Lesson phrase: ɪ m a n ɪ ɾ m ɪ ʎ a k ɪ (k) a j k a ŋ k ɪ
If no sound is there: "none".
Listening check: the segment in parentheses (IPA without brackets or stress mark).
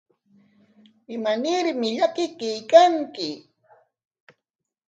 k